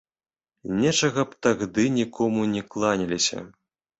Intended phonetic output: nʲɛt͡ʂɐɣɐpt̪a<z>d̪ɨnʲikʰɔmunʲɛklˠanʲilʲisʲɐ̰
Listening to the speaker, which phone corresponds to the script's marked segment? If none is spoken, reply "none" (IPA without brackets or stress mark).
ɣ